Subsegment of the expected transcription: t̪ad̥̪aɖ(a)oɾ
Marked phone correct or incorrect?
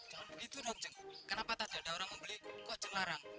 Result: correct